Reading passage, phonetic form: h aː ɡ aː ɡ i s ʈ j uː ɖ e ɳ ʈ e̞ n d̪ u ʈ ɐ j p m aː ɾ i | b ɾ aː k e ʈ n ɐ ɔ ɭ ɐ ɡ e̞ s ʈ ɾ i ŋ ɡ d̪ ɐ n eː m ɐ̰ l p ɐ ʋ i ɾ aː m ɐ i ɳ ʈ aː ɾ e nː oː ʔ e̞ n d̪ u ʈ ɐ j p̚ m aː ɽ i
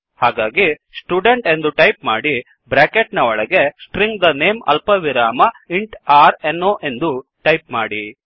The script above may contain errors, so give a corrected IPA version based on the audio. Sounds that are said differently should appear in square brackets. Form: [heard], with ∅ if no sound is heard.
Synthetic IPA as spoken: h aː ɡ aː ɡ i s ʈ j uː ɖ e ɳ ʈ e̞ n d̪ u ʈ ɐ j p m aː [ɽ] i | b ɾ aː k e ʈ n ɐ ɔ ɭ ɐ ɡ e̞ s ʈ ɾ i ŋ ɡ d̪ ɐ n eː m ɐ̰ l p ɐ ʋ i ɾ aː m ɐ i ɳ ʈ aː ɾ e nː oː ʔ e̞ n d̪ u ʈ ɐ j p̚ m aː ɽ i

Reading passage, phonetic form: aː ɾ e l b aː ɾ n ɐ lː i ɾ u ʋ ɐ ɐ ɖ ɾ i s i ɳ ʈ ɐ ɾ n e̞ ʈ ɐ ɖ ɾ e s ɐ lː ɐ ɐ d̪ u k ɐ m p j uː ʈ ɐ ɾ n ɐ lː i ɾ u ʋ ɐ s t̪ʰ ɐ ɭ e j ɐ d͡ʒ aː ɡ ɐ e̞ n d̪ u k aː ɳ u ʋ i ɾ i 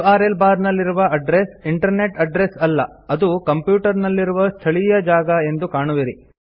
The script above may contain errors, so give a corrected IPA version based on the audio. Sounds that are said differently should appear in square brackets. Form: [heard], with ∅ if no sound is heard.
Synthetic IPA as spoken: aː ɾ e l b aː ɾ n ɐ lː i ɾ u ʋ ɐ ɐ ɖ ɾ [e] s i ɳ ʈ ɐ ɾ n e̞ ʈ ɐ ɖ ɾ e s ɐ lː ɐ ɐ d̪ u k ɐ m p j uː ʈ ɐ ɾ n ɐ lː i ɾ u ʋ ɐ s t̪ʰ ɐ ɭ [i] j ɐ d͡ʒ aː ɡ ɐ e̞ n d̪ u k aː ɳ u ʋ i ɾ i

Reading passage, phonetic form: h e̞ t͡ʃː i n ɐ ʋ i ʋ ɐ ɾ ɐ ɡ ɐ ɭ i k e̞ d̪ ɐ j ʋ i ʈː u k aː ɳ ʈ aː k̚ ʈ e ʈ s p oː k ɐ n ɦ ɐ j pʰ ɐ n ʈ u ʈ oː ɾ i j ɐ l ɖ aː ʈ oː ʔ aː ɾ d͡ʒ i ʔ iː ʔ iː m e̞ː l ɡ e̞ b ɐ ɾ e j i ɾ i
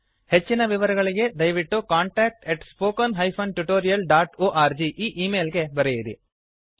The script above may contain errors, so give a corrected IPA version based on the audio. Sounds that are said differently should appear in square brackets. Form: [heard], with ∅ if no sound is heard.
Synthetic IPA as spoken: h e̞ t͡ʃː i n ɐ ʋ i ʋ ɐ ɾ ɐ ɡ ɐ ɭ i [ɡ] e̞ d̪ ɐ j ʋ i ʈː u k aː ɳ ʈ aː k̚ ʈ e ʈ s p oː k ɐ n ɦ ɐ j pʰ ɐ n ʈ u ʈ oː ɾ i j ɐ l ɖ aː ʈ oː ʔ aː ɾ d͡ʒ i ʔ iː ʔ iː m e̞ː l ɡ e̞ b ɐ ɾ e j i ɾ i

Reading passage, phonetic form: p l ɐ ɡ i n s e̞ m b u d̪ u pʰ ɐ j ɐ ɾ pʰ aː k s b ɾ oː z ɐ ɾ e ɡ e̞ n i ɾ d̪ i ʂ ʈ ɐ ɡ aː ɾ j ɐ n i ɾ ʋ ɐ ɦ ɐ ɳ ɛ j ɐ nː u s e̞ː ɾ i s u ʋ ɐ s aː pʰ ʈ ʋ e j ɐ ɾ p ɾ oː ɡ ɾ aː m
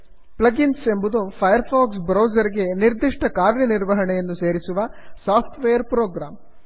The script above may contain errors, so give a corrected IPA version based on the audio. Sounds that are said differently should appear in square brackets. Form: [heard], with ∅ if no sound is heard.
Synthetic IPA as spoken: p l ɐ ɡ i n s e̞ m b u d̪ u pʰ ɐ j ɐ ɾ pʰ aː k s b ɾ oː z ɐ ɾ [i] ɡ e̞ n i ɾ d̪ i ʂ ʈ ɐ [k] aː ɾ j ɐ n i ɾ ʋ ɐ ɦ ɐ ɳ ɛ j ɐ nː u s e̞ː ɾ i s u ʋ ɐ s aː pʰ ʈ ʋ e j ɐ ɾ p ɾ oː ɡ ɾ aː m

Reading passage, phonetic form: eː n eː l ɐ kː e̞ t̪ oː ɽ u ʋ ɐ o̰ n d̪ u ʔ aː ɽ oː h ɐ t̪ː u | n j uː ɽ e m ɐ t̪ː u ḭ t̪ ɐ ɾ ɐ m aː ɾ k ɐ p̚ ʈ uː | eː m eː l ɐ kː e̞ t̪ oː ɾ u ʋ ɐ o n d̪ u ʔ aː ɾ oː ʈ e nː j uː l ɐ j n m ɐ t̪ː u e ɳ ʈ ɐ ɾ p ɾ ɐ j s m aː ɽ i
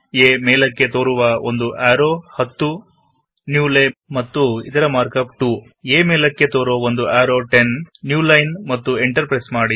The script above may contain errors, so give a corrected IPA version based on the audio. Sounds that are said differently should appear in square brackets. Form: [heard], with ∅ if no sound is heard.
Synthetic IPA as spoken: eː [m] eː l ɐ kː e̞ t̪ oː [ɾ] u ʋ ɐ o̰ n d̪ u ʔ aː [ɾ] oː h ɐ t̪ː u | n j uː [l] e m ɐ t̪ː u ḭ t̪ ɐ ɾ ɐ m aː ɾ k ɐ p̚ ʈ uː | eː m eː l ɐ kː e̞ t̪ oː ɾ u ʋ ɐ o n d̪ u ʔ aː ɾ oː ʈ e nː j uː l ɐ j n m ɐ t̪ː u e ɳ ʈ ɐ ɾ p ɾ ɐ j s m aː ɽ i

